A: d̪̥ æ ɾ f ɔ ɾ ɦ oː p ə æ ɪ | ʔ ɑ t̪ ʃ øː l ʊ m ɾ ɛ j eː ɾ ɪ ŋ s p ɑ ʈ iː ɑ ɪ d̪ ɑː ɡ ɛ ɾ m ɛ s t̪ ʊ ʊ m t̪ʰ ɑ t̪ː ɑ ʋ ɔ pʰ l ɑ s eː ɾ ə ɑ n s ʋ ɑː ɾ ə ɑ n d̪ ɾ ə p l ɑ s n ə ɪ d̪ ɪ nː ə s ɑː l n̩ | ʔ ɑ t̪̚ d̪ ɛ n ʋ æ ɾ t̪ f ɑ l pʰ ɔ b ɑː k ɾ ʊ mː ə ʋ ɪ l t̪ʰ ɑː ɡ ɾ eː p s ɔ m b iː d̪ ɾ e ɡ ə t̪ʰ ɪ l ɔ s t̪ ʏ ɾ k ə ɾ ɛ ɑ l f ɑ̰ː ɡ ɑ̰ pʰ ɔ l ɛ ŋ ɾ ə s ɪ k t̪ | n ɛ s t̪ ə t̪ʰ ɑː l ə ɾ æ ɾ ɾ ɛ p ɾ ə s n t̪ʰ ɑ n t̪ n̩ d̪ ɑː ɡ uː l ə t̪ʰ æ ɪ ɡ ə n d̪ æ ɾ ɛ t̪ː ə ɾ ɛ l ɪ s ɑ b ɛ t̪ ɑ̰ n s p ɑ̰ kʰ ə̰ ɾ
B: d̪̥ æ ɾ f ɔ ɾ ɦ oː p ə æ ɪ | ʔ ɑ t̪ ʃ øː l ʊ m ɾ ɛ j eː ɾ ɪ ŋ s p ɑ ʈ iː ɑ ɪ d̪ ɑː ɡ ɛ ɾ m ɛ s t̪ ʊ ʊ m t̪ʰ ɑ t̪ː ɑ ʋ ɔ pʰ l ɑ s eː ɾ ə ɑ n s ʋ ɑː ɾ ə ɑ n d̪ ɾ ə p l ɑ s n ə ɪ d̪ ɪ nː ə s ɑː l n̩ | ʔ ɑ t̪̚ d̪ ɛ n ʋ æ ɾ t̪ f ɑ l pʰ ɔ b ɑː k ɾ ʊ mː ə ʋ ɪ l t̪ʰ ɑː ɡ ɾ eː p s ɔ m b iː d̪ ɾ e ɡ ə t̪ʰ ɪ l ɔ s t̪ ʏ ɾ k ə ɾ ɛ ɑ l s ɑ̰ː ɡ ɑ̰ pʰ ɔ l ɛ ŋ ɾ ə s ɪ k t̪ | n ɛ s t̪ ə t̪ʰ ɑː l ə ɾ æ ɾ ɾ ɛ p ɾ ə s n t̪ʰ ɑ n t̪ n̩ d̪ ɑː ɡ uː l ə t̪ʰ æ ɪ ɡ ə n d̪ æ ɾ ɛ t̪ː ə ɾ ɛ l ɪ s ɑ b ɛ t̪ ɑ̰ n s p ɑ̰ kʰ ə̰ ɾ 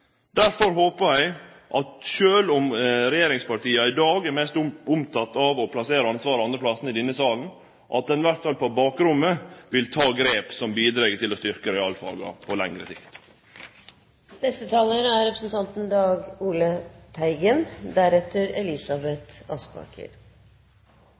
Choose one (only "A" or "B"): A